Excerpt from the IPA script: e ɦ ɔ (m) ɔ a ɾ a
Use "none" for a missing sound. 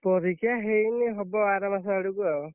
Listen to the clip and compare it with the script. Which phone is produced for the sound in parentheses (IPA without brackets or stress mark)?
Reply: b